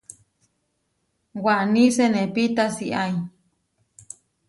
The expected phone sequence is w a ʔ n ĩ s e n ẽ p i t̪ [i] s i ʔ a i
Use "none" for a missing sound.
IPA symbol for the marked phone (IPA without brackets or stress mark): a